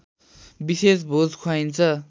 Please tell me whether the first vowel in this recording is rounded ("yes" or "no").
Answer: no